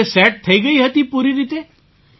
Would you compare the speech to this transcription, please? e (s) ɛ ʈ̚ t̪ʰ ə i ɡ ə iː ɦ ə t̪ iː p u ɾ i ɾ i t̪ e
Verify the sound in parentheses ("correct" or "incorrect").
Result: correct